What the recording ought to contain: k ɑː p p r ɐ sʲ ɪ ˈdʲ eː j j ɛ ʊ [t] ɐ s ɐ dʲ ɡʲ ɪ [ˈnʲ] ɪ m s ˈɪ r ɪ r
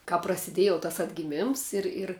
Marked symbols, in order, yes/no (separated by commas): yes, no